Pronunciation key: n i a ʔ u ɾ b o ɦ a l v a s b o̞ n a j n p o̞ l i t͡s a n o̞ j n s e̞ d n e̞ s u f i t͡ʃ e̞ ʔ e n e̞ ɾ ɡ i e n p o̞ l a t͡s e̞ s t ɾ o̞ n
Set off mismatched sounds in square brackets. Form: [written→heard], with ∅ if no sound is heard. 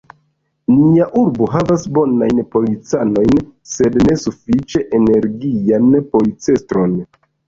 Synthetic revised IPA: n i a ʔ u ɾ b o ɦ a [l→∅] v a s b o̞ n a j n p o̞ l i t͡s a n o̞ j n s e̞ d n e̞ s u f i t͡ʃ e̞ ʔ e n e̞ ɾ ɡ i [e→a] n p o̞ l [a→i] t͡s e̞ s t ɾ o̞ n